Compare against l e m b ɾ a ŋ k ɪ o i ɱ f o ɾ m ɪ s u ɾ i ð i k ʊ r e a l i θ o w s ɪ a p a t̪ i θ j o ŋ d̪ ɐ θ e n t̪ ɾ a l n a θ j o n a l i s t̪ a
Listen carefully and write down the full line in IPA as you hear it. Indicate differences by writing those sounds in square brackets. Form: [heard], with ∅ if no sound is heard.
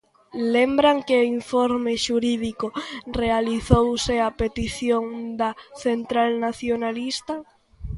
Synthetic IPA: l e m b ɾ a ŋ k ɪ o i ɱ f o ɾ m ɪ [ʃ] u ɾ i ð i k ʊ r e a l i θ o w s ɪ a p [e] t̪ i θ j o ŋ d̪ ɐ θ e n t̪ ɾ a l n a θ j o n a l i s t̪ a